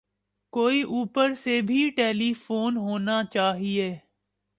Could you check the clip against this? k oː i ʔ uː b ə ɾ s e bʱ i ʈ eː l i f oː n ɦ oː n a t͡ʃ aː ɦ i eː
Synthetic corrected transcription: k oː i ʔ uː p ə ɾ s e bʱ i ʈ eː l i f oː n ɦ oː n a t͡ʃ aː ɦ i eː